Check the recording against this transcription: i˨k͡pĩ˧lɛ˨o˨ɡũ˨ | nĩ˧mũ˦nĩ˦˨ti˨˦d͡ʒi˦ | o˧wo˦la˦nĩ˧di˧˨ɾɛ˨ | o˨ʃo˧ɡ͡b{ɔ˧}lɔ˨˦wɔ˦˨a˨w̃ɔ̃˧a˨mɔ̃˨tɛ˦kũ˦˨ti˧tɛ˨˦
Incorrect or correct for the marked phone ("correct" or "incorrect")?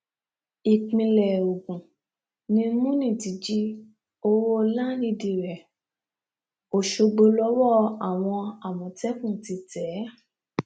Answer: incorrect